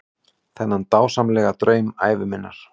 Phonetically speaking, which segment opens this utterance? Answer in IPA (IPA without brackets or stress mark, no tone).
θ